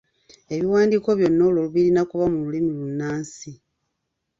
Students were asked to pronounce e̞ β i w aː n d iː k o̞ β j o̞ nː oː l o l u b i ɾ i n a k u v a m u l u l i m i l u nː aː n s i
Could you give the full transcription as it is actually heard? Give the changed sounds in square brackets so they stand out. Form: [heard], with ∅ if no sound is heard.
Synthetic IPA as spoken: e̞ β i w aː n d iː k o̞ β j o̞ nː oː l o l u [β] i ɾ i n a k u [β] a m u l u l i m i l u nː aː n s i